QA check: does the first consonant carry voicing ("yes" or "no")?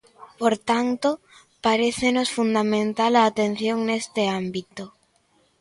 no